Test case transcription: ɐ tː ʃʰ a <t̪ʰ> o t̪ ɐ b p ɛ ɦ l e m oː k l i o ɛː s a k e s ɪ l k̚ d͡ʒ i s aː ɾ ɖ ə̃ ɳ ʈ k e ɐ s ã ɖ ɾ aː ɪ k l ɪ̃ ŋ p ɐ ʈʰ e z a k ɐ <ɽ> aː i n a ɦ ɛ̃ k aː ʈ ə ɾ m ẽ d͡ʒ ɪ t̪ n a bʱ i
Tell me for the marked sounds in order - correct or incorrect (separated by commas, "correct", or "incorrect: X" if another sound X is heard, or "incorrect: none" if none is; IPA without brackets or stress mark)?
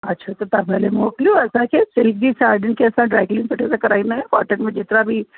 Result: incorrect: t̪, incorrect: ɾ